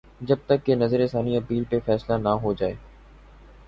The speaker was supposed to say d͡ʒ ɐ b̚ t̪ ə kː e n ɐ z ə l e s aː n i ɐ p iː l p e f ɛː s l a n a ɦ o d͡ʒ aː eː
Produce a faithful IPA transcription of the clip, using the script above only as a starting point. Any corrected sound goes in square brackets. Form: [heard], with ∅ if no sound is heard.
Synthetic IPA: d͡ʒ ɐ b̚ t̪ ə kː e n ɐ z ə [ɾ] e s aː n i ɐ p iː l p e f ɛː s l a n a ɦ o d͡ʒ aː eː